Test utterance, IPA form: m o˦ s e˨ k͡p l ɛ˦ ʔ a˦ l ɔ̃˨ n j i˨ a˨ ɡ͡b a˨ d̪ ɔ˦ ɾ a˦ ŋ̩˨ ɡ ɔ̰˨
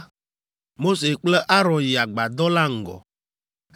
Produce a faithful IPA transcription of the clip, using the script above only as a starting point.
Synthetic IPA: m o˦ s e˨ k͡p l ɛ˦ ʔ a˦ ɾ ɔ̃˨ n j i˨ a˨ ɡ͡b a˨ d̪ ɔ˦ l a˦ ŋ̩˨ ɡ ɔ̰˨

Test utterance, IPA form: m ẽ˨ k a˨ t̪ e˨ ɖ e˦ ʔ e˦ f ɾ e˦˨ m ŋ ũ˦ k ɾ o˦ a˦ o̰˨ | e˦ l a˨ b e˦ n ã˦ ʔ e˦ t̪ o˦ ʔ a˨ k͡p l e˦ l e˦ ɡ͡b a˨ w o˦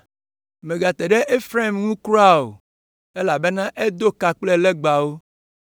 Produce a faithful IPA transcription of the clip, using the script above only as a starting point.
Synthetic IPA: m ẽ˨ ɡ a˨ t̪ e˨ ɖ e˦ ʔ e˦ f ɾ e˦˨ m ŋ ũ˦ k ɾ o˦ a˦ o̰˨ | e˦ l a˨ b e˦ n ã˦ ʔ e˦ d̪ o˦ k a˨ k͡p l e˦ l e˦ ɡ͡b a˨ w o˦

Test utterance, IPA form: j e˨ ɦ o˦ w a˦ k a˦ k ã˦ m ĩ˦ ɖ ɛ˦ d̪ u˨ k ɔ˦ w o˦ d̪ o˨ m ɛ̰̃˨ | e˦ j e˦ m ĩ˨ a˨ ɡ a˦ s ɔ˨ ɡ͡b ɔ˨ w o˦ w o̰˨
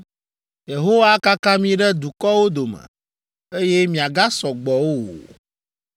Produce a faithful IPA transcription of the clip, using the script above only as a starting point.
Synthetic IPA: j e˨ ɦ o˦ w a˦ k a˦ k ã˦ m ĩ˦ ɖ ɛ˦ d̪ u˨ k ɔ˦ w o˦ d̪ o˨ m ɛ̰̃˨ | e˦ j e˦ m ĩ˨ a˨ ɡ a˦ s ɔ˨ ɡ͡b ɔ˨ w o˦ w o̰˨

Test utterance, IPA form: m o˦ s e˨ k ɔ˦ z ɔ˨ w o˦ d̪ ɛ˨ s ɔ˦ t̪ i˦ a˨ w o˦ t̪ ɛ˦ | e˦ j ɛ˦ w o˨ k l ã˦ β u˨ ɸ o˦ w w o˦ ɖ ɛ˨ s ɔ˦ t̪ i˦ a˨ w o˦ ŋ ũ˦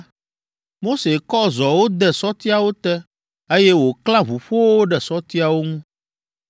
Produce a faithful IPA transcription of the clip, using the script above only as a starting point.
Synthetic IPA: m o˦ s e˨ k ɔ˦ z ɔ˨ w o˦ d̪ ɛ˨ s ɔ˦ t̪ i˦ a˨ w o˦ t̪ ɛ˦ | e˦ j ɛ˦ w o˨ k l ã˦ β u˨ ɸ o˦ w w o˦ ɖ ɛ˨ s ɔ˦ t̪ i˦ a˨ w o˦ ŋ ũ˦

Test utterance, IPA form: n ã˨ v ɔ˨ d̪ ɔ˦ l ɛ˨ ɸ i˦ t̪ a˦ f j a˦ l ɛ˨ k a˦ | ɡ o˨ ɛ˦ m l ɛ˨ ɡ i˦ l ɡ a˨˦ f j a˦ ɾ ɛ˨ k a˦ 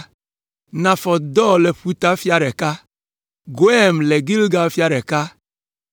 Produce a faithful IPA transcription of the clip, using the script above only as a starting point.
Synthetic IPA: n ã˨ f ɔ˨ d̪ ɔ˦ l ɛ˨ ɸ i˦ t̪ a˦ f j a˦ ɾ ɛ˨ k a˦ | ɡ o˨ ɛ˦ m l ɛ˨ ɡ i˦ l ɡ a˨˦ f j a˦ ɾ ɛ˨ k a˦

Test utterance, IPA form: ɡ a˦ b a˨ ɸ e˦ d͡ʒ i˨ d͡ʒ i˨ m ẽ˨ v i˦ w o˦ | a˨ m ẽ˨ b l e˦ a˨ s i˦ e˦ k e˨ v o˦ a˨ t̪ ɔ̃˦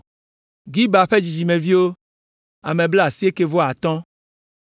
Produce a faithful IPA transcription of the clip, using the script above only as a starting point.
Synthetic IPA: ɡ i˦ b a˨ ɸ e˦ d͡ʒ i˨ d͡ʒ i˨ m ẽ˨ v i˦ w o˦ | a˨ m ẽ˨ b l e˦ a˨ s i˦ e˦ k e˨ v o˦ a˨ t̪ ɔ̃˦

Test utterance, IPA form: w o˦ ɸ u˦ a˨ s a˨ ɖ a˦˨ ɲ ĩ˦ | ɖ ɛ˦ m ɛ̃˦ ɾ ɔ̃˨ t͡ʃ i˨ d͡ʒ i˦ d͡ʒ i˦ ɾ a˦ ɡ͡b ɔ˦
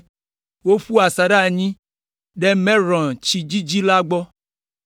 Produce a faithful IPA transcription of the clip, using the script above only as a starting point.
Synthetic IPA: w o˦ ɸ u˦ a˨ s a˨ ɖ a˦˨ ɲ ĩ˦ | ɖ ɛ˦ m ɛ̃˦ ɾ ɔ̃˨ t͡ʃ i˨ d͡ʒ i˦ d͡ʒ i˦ l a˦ ɡ͡b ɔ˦

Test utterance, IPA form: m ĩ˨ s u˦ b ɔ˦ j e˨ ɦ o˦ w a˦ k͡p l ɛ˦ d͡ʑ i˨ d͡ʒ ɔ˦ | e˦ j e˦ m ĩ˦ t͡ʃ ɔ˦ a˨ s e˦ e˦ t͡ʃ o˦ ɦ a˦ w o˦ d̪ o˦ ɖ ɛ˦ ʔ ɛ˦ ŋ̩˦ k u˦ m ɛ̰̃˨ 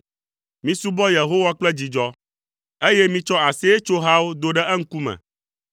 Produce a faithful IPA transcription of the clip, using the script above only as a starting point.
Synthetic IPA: m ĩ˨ s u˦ b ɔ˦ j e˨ ɦ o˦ w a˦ k͡p l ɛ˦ d͡ʑ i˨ d͡ʒ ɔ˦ | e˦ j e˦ m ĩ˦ t͡ʃ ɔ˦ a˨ s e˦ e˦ t͡ʃ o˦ ɦ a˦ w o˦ d̪ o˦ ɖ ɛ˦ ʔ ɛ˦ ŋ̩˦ k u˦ m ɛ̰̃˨

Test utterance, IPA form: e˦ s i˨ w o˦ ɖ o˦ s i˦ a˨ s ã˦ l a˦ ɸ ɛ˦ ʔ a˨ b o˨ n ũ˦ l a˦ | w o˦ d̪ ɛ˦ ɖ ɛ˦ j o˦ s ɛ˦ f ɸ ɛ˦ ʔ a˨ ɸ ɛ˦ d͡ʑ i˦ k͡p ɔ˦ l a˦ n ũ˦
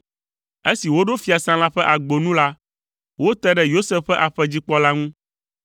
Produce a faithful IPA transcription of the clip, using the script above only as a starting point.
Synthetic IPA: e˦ s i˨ w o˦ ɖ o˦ f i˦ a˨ s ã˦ l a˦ ɸ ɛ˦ ʔ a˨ ɡ͡b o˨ n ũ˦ l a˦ | w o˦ t̪ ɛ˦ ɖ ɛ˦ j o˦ s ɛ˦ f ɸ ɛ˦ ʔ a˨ ɸ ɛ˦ d͡ʑ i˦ k͡p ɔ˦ l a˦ ŋ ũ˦

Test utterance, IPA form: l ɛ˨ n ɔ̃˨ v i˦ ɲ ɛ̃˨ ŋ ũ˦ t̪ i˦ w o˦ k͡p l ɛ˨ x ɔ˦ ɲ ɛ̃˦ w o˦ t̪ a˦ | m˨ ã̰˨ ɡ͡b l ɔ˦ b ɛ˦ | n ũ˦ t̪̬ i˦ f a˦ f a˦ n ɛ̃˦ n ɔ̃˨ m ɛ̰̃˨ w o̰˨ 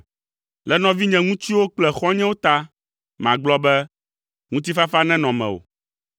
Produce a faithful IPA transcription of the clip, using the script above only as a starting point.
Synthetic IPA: l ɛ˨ n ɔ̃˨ v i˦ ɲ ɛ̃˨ ŋ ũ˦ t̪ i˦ w o˦ k͡p l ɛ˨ x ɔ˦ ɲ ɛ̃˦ w o˦ t̪ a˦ | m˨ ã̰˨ ɡ͡b l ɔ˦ b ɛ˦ | ŋ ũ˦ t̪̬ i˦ f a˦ f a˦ n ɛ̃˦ n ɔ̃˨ m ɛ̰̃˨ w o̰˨

